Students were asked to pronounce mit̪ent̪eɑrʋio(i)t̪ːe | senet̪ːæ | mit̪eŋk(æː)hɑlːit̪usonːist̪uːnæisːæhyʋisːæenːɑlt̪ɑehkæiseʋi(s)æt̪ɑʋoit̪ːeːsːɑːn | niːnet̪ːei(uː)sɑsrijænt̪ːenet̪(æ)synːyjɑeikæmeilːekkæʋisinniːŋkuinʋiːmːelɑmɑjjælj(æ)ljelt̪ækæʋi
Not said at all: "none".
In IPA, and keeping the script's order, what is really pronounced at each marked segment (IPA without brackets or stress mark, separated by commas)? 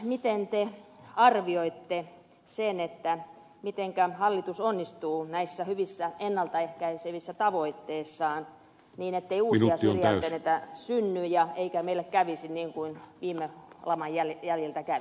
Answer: i, æ, sː, uː, æ, æ